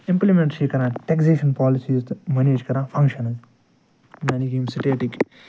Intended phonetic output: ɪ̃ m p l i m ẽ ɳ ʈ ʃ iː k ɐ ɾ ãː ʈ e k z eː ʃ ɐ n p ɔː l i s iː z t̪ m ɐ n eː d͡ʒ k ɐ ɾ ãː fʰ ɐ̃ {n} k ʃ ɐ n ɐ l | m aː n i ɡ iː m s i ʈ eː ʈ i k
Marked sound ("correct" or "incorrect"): incorrect